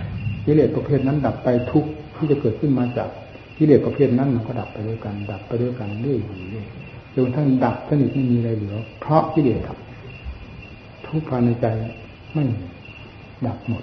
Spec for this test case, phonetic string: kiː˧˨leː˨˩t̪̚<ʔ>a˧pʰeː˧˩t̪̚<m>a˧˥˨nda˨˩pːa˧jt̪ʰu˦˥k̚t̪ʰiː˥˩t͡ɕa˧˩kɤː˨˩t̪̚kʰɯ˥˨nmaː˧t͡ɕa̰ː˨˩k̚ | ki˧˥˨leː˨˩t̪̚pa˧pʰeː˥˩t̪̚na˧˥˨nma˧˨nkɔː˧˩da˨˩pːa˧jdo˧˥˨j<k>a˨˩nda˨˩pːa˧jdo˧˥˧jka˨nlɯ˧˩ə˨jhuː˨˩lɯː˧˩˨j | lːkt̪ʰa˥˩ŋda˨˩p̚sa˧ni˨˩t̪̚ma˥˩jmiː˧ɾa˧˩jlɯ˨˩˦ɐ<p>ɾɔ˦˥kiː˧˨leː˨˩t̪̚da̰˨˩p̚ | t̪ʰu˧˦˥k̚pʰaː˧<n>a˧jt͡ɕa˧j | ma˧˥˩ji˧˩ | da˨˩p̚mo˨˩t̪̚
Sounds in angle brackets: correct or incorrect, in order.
incorrect: p, incorrect: n, correct, incorrect: pʰ, correct

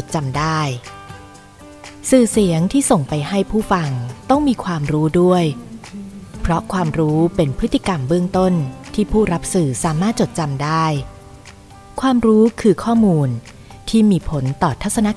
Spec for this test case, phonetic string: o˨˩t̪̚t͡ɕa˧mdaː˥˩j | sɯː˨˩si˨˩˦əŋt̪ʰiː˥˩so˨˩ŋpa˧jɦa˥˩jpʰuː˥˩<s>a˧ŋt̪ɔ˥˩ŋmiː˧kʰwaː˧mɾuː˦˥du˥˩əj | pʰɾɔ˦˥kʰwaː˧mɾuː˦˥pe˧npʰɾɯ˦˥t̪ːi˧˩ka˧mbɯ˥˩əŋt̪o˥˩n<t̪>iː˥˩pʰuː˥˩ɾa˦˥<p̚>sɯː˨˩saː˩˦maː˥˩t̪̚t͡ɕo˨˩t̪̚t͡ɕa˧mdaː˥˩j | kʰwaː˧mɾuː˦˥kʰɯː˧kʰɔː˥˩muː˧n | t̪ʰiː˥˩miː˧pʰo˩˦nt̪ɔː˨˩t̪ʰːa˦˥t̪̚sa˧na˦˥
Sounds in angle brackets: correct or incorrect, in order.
incorrect: f, incorrect: t̪ʰ, correct

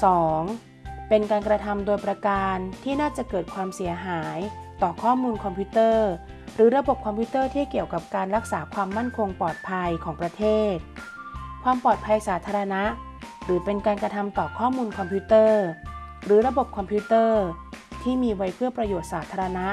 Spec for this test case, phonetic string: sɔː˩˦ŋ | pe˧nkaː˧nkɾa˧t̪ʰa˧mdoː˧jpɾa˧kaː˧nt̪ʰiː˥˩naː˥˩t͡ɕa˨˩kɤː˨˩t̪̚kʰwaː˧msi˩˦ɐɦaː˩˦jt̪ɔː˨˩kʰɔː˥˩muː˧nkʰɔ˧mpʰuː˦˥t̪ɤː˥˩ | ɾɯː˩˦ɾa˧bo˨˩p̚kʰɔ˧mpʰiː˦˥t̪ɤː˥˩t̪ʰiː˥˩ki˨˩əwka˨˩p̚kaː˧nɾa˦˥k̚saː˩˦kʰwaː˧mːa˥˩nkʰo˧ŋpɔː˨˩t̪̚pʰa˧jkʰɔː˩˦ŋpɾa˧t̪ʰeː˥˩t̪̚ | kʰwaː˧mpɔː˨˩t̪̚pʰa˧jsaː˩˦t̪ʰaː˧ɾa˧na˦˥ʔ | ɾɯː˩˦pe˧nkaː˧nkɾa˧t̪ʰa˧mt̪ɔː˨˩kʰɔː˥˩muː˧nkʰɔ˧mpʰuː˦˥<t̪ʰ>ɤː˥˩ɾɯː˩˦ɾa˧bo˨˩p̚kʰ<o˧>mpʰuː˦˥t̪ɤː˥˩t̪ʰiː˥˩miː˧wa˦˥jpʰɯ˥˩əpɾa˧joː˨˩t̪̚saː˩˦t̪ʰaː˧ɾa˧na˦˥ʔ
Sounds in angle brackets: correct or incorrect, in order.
incorrect: t̪, incorrect: ɔ˧

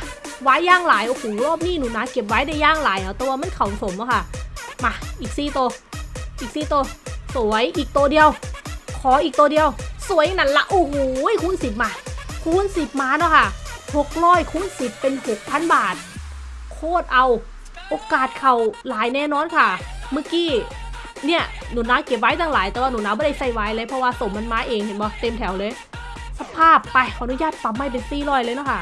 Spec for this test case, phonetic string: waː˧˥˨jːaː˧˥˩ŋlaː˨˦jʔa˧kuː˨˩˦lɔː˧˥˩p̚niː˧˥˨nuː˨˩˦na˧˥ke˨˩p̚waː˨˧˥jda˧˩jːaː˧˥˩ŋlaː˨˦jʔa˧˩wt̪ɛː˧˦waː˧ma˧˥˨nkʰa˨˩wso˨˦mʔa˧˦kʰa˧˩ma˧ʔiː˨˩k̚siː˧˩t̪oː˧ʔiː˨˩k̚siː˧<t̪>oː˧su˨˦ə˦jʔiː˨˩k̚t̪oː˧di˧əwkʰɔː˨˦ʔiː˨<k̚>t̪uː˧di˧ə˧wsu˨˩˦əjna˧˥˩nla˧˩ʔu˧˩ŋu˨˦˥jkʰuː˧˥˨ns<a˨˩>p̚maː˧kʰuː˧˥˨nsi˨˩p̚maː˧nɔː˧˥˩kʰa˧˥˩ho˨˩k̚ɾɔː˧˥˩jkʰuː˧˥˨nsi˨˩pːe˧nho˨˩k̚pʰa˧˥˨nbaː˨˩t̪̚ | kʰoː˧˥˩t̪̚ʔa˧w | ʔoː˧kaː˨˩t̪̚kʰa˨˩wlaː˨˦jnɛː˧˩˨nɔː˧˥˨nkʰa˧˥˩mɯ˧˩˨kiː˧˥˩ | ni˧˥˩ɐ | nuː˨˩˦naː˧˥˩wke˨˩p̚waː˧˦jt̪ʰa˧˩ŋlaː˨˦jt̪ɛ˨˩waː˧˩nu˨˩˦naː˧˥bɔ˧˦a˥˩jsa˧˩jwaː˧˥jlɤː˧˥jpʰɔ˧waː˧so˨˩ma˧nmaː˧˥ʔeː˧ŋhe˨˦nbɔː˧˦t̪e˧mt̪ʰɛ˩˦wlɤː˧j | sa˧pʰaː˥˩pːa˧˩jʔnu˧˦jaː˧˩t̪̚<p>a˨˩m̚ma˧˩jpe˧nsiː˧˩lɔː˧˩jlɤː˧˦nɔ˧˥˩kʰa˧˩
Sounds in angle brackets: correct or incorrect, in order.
correct, correct, incorrect: i˨˩, correct

